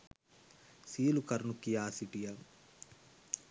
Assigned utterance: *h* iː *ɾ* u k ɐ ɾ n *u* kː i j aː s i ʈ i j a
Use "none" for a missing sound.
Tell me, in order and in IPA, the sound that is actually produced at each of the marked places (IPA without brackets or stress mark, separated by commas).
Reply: s, l, u